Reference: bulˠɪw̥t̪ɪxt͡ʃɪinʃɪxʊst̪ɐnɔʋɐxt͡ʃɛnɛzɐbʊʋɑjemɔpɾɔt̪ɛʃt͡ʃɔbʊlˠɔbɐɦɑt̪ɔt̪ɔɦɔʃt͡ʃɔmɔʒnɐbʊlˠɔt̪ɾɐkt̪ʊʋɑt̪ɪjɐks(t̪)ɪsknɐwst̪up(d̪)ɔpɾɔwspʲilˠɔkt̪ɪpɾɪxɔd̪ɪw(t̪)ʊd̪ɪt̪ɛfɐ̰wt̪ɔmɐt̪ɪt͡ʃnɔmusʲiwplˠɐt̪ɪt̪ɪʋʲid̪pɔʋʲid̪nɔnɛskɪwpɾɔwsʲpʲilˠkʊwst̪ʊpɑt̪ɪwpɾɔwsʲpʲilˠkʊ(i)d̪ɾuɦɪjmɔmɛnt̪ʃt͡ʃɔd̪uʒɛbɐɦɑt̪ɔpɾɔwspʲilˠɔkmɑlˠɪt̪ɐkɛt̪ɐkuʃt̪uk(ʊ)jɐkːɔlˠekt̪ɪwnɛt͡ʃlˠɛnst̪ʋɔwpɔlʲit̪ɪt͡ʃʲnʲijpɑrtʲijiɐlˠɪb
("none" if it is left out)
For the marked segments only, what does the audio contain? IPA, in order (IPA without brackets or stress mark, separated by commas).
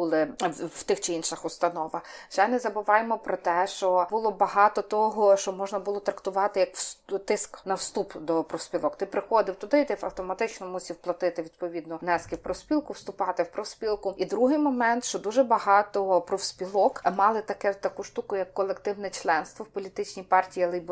t̪, d̪, t̪, i, ʊ